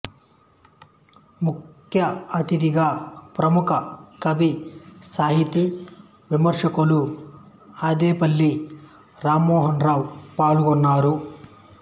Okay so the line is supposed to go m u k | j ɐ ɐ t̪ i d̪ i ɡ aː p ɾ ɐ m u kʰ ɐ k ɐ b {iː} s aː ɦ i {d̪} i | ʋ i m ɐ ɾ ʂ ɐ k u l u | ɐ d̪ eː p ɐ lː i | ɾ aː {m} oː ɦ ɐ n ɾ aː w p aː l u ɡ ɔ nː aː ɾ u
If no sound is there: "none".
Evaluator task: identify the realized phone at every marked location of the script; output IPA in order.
i, t̪, m

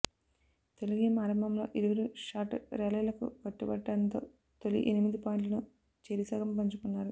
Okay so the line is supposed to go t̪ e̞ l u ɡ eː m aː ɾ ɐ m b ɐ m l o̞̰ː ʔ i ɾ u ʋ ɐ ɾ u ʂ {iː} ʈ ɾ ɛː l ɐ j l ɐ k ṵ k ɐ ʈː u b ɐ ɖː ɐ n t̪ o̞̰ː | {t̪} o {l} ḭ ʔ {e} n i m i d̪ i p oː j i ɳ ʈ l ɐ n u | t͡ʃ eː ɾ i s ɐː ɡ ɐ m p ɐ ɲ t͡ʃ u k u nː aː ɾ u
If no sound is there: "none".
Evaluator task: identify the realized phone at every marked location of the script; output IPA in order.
aː, t̪, l, e

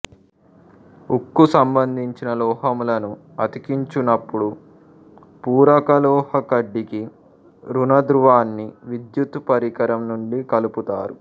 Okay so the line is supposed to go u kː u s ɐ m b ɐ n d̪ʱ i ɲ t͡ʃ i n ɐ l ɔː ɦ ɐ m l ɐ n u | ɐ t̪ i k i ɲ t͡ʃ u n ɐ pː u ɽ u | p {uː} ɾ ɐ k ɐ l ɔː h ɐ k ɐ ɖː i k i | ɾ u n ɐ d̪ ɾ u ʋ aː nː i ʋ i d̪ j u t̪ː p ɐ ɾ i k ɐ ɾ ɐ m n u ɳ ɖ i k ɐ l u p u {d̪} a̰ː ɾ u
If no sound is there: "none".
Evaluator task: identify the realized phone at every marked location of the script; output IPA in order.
uː, t̪

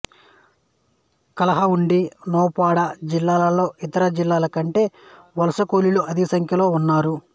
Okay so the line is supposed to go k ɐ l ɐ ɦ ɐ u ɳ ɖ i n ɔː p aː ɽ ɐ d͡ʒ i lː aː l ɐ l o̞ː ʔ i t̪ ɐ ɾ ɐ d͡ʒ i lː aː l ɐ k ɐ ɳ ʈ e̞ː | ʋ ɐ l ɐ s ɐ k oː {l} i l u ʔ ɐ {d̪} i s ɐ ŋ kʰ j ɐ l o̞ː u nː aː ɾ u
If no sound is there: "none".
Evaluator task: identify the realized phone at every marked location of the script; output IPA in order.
l, d̪

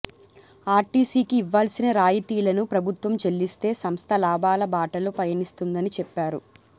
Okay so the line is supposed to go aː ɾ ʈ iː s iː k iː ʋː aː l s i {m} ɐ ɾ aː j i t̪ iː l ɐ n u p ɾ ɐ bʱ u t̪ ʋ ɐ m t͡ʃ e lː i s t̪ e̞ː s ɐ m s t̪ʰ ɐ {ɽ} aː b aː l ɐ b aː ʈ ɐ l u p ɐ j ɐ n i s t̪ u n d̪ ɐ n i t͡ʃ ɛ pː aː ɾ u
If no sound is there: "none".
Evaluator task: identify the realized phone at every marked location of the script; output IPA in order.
n, l

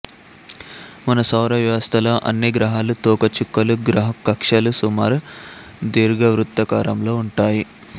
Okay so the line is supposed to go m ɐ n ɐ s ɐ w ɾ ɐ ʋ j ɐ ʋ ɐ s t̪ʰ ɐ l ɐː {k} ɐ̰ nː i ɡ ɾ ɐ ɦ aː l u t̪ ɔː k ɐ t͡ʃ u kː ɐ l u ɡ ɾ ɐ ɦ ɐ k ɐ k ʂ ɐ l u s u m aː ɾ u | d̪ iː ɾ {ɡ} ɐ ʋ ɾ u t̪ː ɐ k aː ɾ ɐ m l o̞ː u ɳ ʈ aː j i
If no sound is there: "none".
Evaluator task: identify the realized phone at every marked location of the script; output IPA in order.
ʔ, ɡ

